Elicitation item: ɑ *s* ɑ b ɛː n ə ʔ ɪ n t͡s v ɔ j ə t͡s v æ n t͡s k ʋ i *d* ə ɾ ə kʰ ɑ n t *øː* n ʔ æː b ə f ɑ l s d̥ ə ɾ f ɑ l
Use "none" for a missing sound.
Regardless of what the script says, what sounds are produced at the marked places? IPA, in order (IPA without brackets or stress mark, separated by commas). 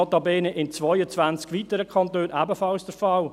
t, t, øː